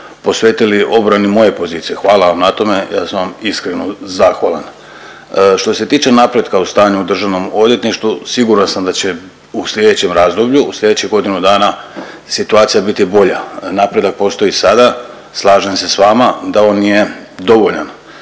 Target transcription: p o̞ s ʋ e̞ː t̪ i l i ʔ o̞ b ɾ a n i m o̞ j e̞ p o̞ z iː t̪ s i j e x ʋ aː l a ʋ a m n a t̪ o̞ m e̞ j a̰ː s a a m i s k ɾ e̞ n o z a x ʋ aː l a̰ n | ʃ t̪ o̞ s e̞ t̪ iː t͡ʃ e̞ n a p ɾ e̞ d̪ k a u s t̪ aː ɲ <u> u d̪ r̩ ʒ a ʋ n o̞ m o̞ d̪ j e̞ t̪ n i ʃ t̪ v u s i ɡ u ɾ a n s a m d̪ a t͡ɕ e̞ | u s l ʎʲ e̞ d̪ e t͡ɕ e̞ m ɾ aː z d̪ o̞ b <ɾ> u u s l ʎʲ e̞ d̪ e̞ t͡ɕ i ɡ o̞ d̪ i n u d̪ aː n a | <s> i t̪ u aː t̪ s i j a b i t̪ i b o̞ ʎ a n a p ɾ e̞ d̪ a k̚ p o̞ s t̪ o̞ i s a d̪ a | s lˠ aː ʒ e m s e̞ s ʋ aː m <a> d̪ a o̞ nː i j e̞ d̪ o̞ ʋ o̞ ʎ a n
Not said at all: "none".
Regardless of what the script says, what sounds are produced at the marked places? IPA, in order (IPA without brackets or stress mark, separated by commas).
u, ʎ, s, a